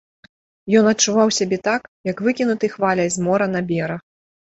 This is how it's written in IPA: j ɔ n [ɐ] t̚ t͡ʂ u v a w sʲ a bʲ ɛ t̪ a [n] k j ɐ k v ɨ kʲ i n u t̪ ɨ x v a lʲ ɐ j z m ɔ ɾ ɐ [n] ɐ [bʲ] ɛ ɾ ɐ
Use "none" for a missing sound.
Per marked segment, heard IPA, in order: ɐ, none, n, bʲ

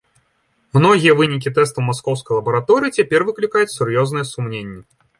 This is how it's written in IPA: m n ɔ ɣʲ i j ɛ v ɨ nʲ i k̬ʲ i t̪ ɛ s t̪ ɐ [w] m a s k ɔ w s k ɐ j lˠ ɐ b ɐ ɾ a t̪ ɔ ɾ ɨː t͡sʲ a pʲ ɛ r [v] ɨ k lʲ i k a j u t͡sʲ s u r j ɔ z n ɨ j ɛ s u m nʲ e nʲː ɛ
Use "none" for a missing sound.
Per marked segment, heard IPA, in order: w, v

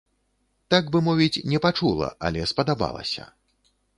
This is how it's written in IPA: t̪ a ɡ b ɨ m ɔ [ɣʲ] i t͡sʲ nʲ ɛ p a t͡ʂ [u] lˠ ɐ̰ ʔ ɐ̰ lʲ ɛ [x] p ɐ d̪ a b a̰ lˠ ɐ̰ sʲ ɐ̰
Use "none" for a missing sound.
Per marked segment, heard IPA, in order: vʲ, u, s

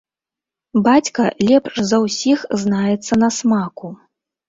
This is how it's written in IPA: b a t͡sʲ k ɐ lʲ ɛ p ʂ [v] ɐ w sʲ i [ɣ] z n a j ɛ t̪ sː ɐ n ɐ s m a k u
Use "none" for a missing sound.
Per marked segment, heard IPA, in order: z, x

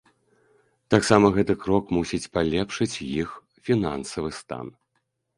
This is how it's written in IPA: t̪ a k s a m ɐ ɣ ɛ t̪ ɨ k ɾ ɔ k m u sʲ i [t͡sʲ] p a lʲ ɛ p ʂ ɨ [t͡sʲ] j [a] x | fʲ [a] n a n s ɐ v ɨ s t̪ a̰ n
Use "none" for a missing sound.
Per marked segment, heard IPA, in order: t͡sʲ, t͡sʲ, i, i

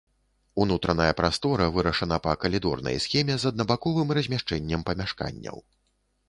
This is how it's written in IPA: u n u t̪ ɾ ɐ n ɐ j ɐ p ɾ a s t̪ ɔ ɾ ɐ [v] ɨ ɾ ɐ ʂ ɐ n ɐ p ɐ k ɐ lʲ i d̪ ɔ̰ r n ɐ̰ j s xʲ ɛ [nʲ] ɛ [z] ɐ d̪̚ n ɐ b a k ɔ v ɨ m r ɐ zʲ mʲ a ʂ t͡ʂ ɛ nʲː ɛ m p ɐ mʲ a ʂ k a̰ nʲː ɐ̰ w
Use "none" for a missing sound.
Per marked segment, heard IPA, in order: v, mʲ, z

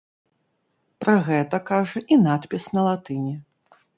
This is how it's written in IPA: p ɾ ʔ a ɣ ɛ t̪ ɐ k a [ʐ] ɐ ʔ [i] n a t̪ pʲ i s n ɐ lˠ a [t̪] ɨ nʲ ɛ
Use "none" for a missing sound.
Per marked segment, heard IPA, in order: ʐ, i, t̪

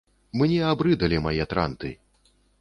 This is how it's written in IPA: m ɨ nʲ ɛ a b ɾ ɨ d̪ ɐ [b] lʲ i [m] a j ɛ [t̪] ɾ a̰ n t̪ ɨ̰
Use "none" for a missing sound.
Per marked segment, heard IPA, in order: none, m, t̪

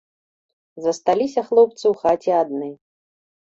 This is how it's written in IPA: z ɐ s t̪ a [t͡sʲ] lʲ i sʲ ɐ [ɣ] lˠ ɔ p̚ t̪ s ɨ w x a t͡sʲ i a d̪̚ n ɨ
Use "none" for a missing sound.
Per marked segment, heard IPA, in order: none, x

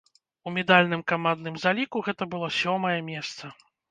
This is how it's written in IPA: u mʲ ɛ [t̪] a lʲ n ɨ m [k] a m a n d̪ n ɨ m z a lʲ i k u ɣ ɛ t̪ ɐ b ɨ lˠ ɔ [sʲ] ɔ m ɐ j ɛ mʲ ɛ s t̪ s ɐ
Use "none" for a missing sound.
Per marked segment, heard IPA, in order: d̪, k, sʲ

